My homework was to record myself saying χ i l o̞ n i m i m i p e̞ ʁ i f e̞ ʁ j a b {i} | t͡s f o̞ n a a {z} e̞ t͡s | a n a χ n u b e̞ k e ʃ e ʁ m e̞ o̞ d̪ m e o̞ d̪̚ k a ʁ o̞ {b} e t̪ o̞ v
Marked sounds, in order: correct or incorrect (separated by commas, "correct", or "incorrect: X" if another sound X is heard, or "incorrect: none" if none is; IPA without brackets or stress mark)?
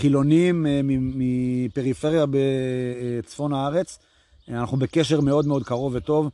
incorrect: e, incorrect: ʁ, incorrect: v